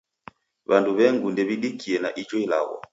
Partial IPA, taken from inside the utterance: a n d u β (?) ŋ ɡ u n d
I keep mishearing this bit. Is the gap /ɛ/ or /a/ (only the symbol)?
ɛ